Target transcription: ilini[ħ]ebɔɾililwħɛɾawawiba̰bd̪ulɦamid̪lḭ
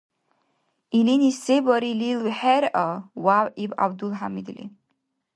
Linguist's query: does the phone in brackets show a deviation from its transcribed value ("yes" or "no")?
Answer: yes